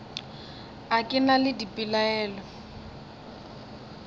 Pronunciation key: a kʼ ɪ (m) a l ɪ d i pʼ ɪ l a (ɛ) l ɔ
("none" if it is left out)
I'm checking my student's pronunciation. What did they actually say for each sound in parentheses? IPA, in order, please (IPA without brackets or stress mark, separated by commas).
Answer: n, ɛː